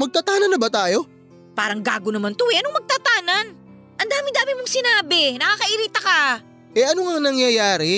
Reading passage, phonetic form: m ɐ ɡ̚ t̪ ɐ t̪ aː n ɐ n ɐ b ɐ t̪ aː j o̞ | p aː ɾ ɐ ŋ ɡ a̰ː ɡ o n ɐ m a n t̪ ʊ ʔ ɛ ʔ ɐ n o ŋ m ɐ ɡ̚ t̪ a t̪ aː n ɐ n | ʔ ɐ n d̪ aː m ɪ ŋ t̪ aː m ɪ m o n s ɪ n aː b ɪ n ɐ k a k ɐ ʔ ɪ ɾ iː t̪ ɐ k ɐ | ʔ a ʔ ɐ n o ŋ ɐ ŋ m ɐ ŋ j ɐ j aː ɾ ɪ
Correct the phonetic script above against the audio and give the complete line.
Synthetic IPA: m ɐ ɡ̚ t̪ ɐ t̪ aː n ɐ n ɐ b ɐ t̪ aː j o̞ | p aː ɾ ɐ ŋ ɡ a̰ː ɡ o n ɐ m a n t̪ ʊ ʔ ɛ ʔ ɐ n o ŋ m ɐ ɡ̚ t̪ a t̪ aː n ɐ n | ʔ ɐ n d̪ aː m ɪ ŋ d̪ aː m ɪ m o ŋ s ɪ n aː b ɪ n ɐ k a k ɐ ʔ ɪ ɾ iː t̪ ɐ k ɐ | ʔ ɛ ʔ ɐ n o ŋ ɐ ŋ n ɐ ŋ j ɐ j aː ɾ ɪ